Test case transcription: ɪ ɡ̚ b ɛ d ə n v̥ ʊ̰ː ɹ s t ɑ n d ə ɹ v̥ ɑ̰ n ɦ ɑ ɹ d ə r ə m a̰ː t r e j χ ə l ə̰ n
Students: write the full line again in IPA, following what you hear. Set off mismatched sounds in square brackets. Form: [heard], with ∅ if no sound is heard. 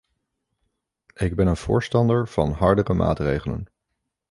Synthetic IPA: ɪ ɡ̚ b ɛ [n] ə n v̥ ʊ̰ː ɹ s t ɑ n d ə ɹ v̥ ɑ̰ n ɦ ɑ ɹ d ə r ə m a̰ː t r e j χ ə l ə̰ n